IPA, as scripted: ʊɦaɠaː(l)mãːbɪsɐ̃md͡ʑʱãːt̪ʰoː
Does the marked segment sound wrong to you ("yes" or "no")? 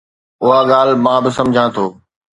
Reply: no